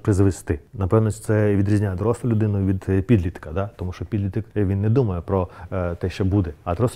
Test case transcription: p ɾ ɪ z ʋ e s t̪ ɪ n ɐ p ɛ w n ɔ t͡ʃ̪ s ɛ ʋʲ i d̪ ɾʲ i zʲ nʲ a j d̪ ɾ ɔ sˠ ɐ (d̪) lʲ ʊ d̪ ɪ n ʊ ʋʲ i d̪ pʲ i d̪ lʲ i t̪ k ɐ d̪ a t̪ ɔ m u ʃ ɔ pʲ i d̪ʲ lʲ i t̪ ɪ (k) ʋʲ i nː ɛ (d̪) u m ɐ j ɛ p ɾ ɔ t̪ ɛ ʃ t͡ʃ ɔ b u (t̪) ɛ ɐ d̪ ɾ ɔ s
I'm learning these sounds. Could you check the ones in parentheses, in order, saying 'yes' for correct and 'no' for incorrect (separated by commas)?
no, yes, yes, no